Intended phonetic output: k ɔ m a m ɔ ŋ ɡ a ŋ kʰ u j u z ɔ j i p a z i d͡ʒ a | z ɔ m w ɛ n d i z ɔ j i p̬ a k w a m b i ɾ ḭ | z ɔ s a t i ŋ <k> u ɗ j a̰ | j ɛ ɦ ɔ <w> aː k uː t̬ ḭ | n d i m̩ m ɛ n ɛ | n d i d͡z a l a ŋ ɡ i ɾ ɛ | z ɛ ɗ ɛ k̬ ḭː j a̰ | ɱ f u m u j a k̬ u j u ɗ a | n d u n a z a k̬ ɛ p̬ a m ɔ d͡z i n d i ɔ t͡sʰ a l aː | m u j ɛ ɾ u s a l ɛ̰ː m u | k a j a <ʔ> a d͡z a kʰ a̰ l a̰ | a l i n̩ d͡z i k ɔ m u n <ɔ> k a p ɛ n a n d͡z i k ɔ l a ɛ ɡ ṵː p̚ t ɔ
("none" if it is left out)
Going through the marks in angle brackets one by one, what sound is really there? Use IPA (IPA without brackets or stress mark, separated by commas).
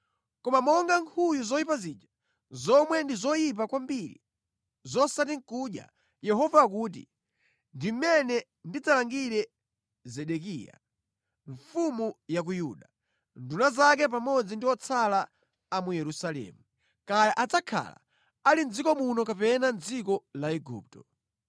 k, v, ʔ, ɔ